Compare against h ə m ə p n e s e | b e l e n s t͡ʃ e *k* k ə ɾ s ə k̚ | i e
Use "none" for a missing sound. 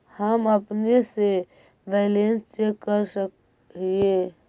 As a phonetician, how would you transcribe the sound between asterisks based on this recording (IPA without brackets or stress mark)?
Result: k